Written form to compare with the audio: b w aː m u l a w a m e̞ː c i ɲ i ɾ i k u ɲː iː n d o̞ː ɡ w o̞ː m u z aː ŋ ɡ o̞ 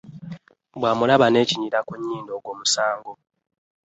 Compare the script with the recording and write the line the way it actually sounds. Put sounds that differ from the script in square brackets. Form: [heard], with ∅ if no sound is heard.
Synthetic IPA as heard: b w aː m u l a [β] a [n] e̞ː c i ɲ i ɾ [a] k u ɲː iː n d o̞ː ɡ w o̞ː m u [s] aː ŋ ɡ o̞